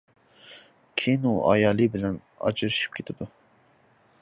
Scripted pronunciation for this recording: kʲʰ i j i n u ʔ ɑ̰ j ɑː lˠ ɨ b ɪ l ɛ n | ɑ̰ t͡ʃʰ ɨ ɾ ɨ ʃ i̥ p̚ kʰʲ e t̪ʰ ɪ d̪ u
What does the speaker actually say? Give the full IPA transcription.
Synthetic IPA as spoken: kʲʰ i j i n u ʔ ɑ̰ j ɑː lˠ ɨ b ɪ l ɛ n | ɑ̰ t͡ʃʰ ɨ ɾ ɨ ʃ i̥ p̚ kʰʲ e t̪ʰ ɪ d̪ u